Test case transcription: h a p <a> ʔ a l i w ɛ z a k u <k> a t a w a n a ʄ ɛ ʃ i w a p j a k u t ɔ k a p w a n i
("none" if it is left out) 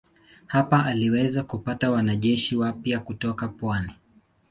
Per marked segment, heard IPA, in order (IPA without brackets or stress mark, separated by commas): a, p